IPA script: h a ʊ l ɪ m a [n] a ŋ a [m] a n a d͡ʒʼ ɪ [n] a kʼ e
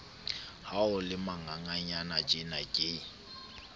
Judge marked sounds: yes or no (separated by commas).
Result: no, no, yes